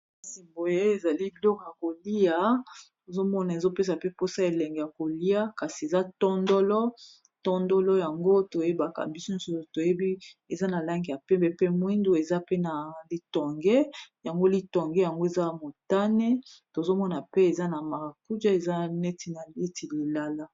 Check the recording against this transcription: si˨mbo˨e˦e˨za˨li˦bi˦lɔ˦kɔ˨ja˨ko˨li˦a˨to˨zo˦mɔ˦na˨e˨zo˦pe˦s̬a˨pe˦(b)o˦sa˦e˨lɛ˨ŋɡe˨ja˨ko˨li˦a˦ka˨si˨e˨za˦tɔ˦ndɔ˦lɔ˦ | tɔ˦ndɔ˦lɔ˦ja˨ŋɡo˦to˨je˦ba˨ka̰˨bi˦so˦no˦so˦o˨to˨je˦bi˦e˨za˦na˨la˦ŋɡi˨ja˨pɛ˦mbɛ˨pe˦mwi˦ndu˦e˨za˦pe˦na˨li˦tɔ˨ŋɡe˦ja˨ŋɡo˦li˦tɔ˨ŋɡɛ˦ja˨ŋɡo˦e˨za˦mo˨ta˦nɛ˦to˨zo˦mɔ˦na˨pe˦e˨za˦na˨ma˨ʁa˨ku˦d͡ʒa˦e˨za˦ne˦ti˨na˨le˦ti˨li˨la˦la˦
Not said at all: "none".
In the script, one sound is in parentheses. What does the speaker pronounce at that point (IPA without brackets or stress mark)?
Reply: p